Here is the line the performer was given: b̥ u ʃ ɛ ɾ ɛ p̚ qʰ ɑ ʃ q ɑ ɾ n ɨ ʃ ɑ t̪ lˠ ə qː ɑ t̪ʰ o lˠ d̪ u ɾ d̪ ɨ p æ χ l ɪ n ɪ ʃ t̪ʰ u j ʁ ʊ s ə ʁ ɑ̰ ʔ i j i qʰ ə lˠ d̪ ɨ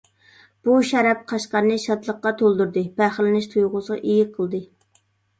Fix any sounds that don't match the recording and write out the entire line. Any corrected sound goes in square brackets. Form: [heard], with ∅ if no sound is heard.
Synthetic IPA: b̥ u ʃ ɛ ɾ ɛ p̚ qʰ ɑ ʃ q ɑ ɾ n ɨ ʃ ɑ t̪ lˠ ə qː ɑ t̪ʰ o lˠ d̪ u ɾ d̪ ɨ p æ χ l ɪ n ɪ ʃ t̪ʰ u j ʁ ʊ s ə ʁ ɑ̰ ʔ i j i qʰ ə lˠ d̪ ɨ